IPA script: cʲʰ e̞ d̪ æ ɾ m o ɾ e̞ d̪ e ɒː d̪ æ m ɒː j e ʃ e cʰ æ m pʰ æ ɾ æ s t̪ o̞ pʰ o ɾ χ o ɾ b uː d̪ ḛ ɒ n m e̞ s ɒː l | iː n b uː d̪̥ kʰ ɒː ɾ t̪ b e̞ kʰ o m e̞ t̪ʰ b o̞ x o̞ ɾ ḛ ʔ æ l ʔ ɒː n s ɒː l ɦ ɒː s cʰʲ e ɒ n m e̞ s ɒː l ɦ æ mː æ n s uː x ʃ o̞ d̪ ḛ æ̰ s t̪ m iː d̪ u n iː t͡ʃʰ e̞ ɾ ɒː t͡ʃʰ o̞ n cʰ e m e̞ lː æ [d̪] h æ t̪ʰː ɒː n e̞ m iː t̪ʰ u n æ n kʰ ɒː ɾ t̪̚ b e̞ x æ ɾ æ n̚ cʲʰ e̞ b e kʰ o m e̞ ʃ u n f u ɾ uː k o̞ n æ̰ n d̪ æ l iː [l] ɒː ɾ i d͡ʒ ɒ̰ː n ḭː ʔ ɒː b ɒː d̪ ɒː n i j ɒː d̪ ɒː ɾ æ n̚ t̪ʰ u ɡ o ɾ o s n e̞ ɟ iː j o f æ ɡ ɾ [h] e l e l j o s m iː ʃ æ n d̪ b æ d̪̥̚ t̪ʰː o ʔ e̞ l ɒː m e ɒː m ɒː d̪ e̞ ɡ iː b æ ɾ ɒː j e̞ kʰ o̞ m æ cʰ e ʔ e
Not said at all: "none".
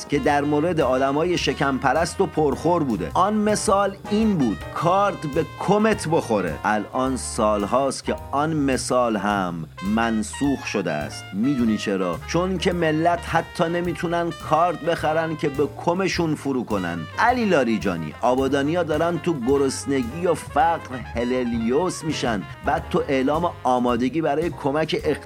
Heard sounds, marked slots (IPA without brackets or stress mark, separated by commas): t̪, l, h